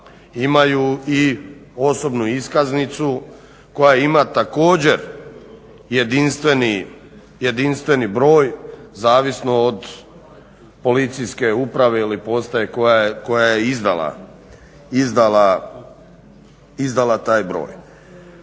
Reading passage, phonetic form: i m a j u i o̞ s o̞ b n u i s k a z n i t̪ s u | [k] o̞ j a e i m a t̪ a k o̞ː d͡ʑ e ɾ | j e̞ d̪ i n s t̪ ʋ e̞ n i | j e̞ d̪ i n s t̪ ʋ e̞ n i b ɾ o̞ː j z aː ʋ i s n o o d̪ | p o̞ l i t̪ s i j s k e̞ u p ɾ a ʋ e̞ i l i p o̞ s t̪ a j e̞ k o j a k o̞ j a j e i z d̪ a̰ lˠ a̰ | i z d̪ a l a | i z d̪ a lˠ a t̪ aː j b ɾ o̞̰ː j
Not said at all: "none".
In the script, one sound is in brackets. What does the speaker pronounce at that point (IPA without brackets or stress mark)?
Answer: k